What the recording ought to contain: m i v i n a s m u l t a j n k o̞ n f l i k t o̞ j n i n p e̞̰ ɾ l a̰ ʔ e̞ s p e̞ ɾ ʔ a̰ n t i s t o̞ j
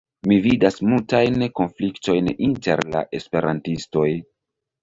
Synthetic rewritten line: m i v i d a s m u l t a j n k o̞ n f l i k t o̞ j n i n t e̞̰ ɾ l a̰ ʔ e̞ s p e̞ ɾ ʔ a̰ n t i s t o̞ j